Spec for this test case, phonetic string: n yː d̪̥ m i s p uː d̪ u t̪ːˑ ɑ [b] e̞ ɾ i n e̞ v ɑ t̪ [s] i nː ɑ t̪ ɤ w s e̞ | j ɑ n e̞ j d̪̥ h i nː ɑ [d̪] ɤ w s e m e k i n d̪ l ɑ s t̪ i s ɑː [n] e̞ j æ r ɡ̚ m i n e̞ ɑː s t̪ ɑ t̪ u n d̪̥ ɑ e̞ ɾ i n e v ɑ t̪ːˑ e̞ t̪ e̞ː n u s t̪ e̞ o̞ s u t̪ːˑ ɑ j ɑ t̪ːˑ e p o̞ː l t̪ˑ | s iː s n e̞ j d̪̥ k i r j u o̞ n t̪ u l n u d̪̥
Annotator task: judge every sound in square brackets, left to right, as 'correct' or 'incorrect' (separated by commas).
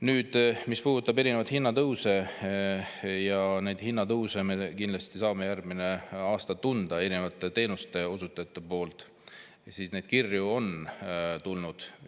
correct, incorrect, incorrect, incorrect